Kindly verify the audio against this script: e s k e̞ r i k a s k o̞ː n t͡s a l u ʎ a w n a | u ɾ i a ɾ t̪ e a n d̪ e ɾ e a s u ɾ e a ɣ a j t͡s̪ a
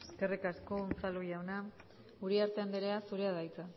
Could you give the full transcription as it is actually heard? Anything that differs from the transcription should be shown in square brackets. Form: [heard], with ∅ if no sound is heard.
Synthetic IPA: e s k e̞ r i k a s k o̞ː n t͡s a l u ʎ a w n a | u ɾ i a ɾ t̪ e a n d̪ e ɾ e a s u ɾ e a [ð] a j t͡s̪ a